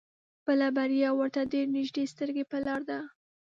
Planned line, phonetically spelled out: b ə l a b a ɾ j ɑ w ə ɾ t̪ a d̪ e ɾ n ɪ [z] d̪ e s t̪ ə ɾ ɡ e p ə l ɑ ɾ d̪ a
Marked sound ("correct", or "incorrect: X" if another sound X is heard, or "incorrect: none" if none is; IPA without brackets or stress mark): incorrect: ʒ